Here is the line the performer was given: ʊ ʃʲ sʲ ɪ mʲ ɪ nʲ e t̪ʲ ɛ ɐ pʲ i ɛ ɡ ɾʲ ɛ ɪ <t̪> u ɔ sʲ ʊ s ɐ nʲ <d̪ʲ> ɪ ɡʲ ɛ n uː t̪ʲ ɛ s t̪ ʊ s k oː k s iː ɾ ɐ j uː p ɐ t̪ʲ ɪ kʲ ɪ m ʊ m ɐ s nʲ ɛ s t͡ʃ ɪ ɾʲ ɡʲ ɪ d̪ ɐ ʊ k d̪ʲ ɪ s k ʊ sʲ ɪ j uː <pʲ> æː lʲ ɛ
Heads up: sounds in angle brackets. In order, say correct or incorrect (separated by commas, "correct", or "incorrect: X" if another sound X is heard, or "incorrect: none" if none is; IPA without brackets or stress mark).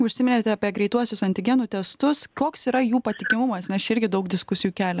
correct, incorrect: t̪ʲ, incorrect: kʲ